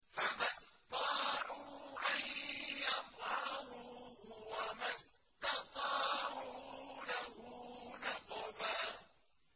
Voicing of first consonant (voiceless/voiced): voiceless